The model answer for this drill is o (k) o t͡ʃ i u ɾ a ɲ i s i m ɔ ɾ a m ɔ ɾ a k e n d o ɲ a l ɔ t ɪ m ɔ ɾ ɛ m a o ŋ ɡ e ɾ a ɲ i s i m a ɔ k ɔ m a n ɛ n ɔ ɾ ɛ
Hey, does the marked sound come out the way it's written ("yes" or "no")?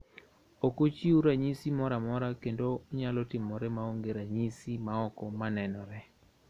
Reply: yes